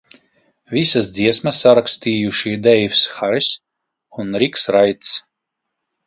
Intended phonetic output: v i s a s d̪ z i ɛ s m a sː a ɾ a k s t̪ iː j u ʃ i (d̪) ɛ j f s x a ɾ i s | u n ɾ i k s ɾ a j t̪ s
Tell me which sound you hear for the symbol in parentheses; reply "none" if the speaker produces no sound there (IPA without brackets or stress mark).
d̪